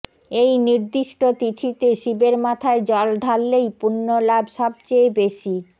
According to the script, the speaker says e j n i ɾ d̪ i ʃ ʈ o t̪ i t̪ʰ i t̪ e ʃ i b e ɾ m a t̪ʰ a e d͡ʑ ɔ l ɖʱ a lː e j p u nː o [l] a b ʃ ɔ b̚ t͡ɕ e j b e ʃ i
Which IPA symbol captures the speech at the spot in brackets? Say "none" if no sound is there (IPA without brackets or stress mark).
l